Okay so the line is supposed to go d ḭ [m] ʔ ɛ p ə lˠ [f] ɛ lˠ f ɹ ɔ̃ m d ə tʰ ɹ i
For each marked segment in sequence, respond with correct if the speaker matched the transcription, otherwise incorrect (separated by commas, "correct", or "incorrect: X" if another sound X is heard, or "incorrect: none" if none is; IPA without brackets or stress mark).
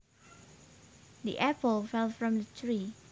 incorrect: none, correct